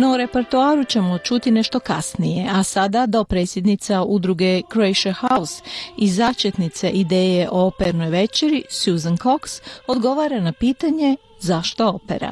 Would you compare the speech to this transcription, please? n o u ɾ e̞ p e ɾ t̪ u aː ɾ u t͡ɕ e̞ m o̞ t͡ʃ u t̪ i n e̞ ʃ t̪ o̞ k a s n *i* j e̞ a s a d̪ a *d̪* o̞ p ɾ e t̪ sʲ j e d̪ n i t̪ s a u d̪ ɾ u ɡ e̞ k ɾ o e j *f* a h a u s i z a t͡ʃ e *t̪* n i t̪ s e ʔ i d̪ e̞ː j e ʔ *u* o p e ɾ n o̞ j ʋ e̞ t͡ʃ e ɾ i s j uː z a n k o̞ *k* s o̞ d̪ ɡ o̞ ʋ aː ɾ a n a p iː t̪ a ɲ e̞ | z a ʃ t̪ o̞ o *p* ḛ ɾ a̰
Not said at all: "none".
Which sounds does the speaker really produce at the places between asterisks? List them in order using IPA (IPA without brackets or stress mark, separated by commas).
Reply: i, d̪, ʃ, t̪, o, k, p